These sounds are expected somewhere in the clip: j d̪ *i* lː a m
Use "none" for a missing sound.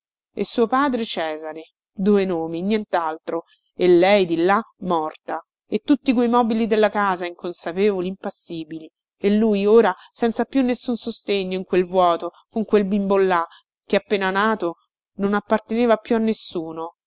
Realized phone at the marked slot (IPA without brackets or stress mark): i